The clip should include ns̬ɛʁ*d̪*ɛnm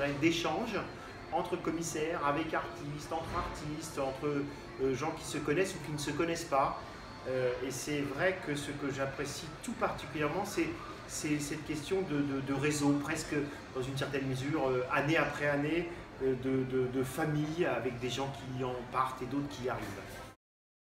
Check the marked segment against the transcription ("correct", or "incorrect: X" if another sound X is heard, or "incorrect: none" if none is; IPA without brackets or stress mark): incorrect: t̪